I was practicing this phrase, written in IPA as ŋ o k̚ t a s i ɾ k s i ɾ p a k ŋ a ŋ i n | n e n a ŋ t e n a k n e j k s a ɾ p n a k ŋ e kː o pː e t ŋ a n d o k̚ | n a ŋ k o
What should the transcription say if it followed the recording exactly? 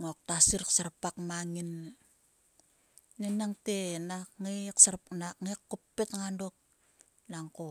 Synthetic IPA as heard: ŋ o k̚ t a s i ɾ k s a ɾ p a k m a ŋ i n | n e n a ŋ t e n a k ŋ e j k s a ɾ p n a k ŋ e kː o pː e t ŋ a n d o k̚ | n a ŋ k o